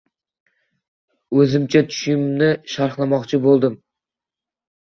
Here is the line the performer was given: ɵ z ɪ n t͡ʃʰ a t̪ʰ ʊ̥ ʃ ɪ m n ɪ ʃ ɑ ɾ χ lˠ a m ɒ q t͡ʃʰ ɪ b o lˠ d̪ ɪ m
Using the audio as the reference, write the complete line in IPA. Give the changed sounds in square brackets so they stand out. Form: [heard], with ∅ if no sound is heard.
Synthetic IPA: ɵ z ɪ [m] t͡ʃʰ a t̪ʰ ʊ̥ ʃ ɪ m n ɪ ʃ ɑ ɾ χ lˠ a m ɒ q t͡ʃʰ ɪ b o lˠ d̪ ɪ m